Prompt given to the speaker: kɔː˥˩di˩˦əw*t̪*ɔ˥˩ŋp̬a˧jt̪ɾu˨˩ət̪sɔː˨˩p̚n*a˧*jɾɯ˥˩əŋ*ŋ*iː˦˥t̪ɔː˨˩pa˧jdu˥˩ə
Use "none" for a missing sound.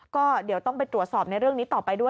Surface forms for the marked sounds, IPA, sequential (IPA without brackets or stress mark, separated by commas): t̪, a˧, n